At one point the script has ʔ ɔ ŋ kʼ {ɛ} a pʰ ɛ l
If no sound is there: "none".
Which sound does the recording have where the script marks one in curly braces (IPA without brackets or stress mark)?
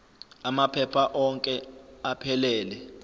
ɛ